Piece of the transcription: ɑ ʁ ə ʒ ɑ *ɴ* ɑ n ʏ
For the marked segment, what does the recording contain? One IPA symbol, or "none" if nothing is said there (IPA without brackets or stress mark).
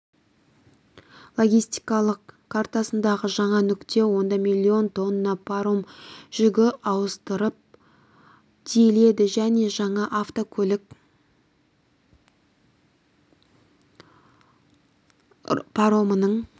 ɴ